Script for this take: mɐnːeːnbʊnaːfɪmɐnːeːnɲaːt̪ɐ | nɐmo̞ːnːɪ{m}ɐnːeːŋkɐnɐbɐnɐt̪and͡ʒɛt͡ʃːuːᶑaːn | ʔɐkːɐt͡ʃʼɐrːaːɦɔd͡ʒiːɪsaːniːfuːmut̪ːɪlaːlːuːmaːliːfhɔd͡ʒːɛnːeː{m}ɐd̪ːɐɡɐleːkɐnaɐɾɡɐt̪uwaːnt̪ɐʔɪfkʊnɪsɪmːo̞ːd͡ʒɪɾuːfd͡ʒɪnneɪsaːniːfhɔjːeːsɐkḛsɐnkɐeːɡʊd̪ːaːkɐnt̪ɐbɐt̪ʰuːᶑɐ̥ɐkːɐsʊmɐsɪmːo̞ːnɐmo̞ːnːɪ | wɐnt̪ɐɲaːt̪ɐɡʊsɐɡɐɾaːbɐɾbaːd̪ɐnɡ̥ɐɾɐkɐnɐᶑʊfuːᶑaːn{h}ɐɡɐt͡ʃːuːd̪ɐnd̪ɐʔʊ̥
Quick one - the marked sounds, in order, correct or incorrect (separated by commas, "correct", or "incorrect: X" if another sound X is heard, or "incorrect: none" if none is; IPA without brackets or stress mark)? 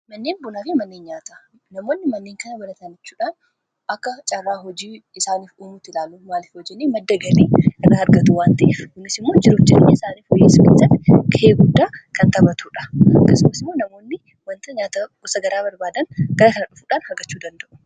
correct, correct, correct